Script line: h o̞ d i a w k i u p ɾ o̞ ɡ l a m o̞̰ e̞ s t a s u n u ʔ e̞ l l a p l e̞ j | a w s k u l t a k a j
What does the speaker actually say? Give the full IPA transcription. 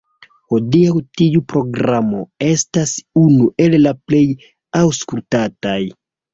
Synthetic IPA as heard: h o̞ d i a w t i u p ɾ o̞ ɡ ɾ a m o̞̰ e̞ s t a s u n u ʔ e̞ l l a p l e̞ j | a w s k u l t a t a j